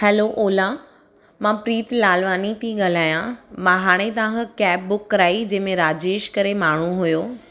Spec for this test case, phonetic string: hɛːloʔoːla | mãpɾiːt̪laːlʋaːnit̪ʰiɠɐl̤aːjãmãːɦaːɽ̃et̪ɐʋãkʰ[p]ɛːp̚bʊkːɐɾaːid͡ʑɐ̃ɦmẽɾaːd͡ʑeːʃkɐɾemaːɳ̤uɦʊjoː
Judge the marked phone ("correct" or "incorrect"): incorrect